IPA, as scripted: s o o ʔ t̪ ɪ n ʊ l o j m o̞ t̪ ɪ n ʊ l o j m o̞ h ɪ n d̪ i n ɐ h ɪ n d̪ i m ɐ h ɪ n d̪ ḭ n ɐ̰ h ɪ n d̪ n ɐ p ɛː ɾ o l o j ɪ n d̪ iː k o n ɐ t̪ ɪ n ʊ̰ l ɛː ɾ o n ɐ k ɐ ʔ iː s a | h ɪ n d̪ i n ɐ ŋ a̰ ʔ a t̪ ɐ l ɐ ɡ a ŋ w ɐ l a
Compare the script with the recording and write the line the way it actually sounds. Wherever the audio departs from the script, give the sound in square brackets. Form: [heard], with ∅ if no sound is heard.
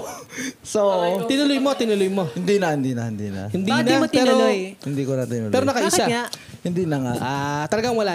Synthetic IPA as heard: s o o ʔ t̪ ɪ n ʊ l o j m o̞ t̪ ɪ n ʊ l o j m o̞ h ɪ n d̪ i n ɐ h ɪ n d̪ i [n] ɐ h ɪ n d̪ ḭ n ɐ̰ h ɪ n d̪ n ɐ p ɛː ɾ o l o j ɪ n d̪ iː k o n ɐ t̪ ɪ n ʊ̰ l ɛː ɾ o n ɐ k ɐ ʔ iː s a | h ɪ n d̪ i n ɐ ŋ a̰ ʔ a t̪ ɐ l ɐ ɡ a ŋ w ɐ l a